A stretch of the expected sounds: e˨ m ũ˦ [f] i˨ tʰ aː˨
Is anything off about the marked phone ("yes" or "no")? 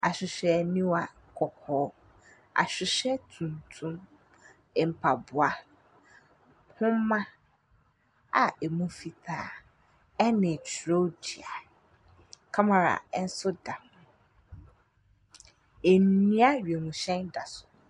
no